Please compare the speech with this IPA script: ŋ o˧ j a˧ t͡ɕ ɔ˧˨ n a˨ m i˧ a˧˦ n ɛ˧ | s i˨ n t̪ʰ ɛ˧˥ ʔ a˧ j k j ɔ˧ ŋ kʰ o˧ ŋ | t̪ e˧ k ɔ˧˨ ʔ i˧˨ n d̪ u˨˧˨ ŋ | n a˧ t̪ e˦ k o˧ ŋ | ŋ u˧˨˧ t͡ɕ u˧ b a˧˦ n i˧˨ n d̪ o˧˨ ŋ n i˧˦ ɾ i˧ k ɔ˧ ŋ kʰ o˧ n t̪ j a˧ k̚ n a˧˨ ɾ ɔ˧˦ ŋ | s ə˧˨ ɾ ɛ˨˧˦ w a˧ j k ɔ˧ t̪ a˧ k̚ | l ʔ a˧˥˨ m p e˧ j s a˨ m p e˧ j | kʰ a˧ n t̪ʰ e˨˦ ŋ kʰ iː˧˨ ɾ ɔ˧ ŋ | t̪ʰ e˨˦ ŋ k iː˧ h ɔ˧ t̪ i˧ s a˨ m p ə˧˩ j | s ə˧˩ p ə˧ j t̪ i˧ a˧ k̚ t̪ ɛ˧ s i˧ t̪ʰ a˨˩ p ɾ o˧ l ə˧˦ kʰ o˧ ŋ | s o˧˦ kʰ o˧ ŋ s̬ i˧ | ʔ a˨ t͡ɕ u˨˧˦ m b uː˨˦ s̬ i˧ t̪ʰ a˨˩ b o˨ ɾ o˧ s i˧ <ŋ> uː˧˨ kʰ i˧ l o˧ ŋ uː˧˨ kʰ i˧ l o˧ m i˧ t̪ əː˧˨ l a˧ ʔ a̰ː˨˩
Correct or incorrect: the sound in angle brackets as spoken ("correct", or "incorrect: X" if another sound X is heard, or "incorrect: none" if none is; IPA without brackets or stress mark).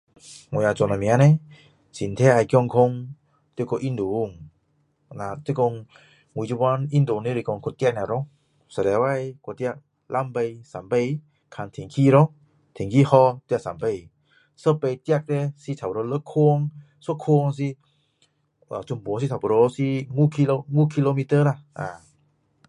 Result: correct